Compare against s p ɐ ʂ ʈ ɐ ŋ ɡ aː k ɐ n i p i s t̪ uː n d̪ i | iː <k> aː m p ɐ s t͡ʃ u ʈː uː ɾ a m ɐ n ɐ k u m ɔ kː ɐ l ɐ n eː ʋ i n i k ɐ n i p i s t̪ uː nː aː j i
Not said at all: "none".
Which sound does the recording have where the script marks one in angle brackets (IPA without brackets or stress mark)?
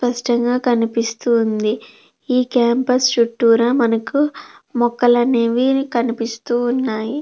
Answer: k